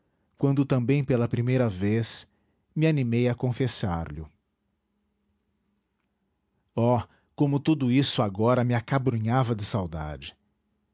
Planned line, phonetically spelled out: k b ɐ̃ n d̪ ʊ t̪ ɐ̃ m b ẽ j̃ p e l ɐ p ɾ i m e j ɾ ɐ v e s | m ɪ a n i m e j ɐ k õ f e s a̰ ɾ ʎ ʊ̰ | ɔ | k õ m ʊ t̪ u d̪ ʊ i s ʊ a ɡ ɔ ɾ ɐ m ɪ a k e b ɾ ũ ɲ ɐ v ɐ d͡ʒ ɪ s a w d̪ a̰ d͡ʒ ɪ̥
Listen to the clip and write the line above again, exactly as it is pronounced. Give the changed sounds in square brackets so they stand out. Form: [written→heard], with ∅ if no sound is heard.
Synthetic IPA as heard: k [b→w] ɐ̃ n d̪ ʊ t̪ ɐ̃ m b ẽ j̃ p e l ɐ p ɾ i m e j ɾ ɐ v e s | m ɪ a n i m e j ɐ k õ f e s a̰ ɾ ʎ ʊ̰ | ɔ | k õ m ʊ t̪ u d̪ ʊ i s ʊ a ɡ ɔ ɾ ɐ m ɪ a k [e→a] b ɾ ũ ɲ [ɐ→a] v ɐ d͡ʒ ɪ s a w d̪ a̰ d͡ʒ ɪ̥